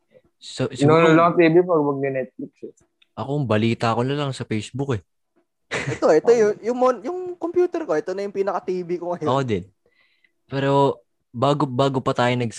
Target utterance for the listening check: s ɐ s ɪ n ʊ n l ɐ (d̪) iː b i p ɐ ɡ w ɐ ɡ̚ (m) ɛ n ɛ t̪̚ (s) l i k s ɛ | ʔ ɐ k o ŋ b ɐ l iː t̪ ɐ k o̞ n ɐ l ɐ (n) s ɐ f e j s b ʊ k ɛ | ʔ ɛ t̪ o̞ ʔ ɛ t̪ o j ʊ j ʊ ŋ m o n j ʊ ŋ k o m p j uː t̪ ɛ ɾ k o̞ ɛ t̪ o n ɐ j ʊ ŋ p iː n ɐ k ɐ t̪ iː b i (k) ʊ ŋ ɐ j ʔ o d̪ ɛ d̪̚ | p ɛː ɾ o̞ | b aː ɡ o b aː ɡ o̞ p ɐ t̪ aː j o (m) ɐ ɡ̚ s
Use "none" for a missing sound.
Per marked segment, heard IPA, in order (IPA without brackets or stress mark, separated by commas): t̪, n, f, ŋ, k, n